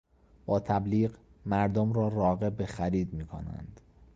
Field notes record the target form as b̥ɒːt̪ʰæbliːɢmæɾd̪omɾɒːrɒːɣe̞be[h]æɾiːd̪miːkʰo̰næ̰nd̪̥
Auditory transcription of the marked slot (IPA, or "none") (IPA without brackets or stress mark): x